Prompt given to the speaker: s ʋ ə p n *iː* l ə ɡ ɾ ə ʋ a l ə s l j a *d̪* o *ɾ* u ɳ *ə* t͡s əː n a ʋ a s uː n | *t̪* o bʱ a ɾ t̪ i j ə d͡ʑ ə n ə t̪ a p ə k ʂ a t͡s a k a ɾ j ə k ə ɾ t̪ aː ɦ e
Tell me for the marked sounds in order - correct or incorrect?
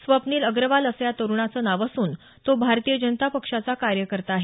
correct, incorrect: t̪, correct, incorrect: a, correct

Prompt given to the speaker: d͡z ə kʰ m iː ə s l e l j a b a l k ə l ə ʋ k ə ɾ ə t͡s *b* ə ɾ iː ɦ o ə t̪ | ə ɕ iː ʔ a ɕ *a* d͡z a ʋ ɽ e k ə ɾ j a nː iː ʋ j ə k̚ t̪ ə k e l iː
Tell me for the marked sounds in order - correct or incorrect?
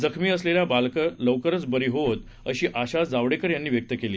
correct, correct

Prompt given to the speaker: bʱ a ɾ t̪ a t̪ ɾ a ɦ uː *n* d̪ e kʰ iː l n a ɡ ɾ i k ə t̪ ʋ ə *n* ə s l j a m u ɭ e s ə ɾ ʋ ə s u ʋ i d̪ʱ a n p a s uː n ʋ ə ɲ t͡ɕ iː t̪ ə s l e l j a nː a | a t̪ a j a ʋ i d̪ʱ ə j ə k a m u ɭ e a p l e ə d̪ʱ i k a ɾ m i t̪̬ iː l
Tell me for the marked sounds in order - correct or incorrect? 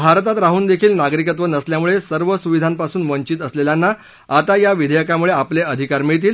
correct, correct

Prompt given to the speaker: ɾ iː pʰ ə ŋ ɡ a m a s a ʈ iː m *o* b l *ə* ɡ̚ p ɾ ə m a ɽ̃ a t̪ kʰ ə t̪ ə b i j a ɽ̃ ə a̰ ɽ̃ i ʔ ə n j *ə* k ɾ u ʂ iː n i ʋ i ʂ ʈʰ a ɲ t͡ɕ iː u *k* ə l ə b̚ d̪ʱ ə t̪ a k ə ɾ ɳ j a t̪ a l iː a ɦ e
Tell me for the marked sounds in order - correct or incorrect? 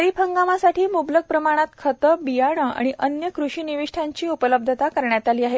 incorrect: u, correct, correct, incorrect: p

